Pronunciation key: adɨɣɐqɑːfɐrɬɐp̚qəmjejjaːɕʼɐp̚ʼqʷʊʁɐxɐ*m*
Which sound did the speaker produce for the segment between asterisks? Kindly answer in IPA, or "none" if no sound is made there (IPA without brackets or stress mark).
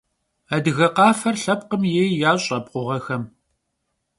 m